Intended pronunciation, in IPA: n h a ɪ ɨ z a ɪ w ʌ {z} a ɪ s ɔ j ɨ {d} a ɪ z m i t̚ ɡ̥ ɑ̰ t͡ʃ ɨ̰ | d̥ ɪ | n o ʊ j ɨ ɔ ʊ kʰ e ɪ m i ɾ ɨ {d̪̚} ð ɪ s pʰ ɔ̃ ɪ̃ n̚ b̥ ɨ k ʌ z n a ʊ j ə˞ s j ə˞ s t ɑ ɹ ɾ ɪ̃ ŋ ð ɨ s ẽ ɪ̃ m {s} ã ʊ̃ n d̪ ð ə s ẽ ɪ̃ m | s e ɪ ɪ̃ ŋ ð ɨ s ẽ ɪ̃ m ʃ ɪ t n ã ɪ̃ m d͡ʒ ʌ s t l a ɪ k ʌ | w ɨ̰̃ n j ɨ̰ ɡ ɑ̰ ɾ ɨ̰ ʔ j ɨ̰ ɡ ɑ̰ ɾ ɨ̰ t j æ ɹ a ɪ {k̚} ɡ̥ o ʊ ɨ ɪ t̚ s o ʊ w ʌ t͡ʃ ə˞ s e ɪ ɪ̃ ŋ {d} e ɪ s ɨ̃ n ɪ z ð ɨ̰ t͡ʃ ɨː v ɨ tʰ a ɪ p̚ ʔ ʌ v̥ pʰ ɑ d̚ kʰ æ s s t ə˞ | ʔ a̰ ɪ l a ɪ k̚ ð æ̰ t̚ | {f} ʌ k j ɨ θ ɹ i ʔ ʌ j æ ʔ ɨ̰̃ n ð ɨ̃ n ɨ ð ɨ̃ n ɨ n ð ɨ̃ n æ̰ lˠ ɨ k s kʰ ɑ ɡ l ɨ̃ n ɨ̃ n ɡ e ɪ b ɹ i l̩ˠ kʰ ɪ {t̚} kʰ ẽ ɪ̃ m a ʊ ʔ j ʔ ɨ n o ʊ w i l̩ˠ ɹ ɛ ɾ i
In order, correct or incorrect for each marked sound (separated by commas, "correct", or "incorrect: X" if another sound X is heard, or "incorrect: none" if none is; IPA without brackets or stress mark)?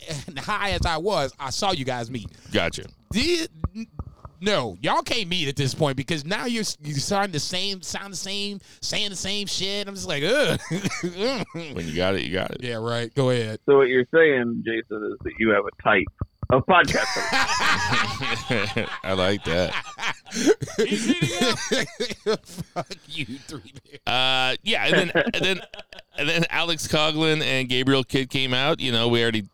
correct, incorrect: ɡ, incorrect: t̪̚, correct, incorrect: t̚, incorrect: d͡ʒ, correct, incorrect: d̚